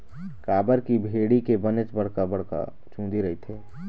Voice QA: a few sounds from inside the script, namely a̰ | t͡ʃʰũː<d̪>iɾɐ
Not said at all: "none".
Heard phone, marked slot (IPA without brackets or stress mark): d̪